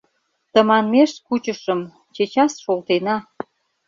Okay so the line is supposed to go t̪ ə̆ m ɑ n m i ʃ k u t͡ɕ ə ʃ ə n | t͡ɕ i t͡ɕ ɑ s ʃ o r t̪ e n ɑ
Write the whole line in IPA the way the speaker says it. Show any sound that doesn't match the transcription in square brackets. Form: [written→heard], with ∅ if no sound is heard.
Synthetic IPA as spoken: t̪ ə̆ m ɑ n m [i→e] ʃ k u t͡ɕ ə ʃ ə [n→m] | t͡ɕ [i→e] t͡ɕ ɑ s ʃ o [r→l] t̪ e n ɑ